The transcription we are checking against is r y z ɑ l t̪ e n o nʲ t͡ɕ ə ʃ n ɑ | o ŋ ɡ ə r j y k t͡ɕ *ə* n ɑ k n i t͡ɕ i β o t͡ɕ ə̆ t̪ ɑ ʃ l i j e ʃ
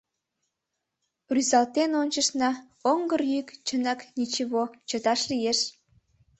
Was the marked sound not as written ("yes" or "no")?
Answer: no